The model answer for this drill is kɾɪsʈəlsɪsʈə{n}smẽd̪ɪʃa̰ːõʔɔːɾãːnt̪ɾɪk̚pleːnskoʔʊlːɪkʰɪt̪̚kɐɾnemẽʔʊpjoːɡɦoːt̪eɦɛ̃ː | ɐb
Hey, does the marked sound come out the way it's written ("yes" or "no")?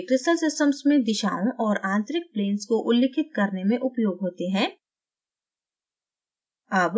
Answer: no